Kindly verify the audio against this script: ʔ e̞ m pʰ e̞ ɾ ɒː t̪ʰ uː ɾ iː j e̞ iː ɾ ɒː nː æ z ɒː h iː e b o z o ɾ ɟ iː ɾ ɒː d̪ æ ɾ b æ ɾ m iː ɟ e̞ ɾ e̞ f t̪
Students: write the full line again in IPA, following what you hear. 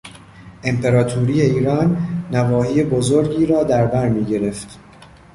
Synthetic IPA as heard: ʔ e̞ m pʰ e̞ ɾ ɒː t̪ʰ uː ɾ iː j e̞ iː ɾ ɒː nː æ v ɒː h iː e b o z o ɾ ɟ iː ɾ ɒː d̪ æ ɾ b æ ɾ m iː ɟ e̞ ɾ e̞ f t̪